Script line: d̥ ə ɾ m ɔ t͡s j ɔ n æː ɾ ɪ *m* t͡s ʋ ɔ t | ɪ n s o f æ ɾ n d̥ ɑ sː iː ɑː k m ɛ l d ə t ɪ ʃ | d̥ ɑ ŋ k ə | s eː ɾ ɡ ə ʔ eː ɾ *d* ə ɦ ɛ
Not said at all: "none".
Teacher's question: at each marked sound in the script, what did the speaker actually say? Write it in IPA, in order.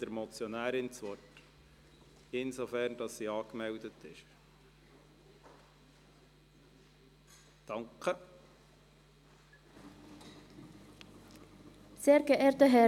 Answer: n, t

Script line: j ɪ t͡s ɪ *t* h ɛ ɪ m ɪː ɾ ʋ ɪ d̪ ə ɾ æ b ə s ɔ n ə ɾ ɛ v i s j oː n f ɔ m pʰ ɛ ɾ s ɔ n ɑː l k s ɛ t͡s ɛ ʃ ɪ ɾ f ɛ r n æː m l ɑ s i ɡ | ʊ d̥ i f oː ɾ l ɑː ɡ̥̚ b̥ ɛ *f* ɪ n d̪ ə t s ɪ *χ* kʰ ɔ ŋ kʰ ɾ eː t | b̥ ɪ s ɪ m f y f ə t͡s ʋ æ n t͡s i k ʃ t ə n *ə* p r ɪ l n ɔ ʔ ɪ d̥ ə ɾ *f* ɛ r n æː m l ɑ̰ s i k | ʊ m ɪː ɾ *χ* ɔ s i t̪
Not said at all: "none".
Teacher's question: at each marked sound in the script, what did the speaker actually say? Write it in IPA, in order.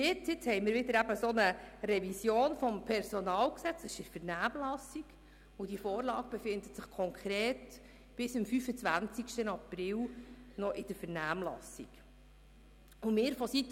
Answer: t͡s, f, χ, ɑ, f, f

